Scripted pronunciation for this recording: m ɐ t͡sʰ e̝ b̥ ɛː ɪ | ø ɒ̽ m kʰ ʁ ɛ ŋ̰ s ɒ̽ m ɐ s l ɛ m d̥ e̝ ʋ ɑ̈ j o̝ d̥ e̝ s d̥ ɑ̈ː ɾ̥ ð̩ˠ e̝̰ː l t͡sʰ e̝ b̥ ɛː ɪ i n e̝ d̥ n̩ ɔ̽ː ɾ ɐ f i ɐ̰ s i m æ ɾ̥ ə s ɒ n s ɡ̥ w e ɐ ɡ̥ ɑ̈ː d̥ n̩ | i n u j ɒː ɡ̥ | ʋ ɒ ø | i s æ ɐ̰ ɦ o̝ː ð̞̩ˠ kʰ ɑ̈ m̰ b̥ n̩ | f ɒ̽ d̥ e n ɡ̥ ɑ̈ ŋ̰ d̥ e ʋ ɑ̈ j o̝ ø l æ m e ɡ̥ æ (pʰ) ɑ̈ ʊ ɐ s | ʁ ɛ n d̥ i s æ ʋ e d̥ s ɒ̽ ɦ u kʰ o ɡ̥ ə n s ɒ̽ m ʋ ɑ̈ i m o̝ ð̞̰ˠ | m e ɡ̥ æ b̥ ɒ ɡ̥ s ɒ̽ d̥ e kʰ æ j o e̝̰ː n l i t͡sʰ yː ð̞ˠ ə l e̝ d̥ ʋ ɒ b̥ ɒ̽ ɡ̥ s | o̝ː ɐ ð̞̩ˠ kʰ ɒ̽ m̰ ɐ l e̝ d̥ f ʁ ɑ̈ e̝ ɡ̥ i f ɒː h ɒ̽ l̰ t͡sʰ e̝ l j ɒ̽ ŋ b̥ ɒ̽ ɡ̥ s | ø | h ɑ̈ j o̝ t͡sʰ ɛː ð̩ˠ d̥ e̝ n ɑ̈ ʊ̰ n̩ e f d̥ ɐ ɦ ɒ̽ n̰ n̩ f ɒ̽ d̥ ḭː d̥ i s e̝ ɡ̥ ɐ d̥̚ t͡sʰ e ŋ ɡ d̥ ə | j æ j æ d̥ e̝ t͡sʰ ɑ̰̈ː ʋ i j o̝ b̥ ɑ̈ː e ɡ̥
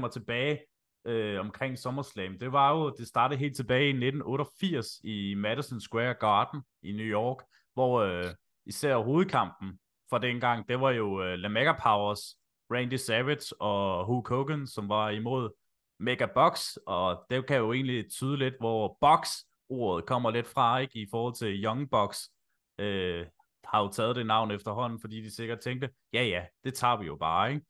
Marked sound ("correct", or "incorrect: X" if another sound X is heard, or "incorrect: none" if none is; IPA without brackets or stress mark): correct